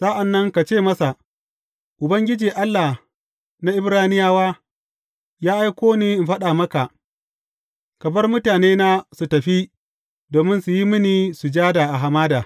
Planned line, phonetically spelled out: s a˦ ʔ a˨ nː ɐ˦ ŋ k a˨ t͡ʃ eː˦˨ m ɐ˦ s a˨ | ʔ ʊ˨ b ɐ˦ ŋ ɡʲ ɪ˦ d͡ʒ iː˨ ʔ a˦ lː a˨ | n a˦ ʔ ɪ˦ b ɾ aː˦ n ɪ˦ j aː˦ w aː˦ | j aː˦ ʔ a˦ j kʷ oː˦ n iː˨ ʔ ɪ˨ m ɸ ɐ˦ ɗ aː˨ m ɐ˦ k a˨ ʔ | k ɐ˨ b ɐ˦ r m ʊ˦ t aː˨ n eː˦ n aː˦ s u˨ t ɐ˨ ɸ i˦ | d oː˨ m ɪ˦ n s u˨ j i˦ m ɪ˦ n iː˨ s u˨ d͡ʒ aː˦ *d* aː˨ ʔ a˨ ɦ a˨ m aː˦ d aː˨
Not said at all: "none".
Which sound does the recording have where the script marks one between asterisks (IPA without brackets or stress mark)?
d